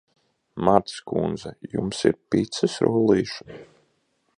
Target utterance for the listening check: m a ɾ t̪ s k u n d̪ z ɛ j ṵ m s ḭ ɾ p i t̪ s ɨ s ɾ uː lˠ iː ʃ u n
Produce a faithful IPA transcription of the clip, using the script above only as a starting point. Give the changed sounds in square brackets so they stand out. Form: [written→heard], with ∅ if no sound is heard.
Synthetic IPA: m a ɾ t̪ s k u n d̪ z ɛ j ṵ m s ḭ ɾ p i t̪ s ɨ s ɾ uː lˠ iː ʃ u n